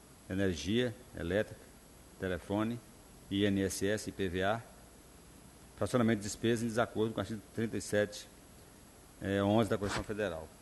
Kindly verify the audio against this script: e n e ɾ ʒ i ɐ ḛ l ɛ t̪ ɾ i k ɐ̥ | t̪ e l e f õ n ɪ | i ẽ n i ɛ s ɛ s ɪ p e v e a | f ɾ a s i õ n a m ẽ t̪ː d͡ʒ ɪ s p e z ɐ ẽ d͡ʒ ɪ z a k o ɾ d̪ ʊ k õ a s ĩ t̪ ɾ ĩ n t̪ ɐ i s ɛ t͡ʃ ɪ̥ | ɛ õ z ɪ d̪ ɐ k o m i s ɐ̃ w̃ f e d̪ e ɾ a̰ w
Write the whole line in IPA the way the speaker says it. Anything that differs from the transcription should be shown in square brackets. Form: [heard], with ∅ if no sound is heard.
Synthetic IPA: e n e ɾ ʒ i ɐ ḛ l ɛ t̪ ɾ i k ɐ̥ | t̪ e l e f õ n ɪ | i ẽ n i ɛ s ɛ s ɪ p e v e a | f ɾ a s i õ n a m ẽ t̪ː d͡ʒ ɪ s p e z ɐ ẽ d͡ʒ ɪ z a k o ɾ d̪ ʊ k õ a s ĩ t̪ ɾ ĩ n t̪ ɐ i s ɛ t͡ʃ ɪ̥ | ɛ õ z ɪ d̪ ɐ k o m i s ɐ̃ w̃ f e d̪ e ɾ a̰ w